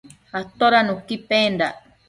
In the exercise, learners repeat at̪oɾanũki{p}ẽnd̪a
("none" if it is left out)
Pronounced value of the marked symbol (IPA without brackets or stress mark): p